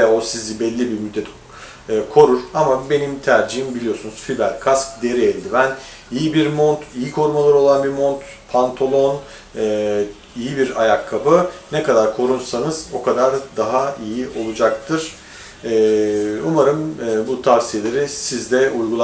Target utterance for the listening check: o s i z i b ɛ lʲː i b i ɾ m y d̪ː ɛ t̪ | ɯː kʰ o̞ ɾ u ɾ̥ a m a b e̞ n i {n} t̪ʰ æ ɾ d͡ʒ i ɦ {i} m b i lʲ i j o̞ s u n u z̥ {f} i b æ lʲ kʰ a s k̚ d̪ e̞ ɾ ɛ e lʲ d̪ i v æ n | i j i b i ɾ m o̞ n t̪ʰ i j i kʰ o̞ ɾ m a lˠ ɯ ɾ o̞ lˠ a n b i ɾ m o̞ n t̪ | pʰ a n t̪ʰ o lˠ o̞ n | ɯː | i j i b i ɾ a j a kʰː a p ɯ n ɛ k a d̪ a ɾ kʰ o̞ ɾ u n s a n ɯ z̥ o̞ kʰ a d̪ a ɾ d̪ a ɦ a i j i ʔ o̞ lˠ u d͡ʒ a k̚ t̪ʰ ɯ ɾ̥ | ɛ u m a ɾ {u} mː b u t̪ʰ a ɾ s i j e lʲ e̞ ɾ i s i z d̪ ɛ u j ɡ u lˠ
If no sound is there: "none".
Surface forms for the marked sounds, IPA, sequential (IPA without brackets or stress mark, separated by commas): m, i, f, ɯ